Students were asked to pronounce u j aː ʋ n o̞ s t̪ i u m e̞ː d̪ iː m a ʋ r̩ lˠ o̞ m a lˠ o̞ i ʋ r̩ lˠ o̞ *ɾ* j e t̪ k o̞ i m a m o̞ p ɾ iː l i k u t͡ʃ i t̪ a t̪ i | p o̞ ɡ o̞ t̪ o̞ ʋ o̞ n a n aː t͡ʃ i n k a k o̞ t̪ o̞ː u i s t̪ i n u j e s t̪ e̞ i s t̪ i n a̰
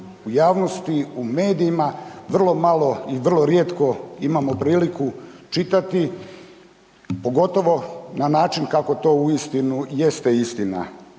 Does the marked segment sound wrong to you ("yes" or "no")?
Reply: no